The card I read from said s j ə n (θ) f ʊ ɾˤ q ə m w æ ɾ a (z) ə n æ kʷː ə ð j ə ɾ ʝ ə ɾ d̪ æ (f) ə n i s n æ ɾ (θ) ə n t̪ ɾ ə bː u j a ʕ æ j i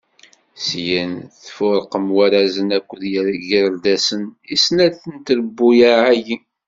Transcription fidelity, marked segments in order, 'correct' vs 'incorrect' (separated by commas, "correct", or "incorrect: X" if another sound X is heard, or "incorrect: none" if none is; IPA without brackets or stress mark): correct, correct, incorrect: s, correct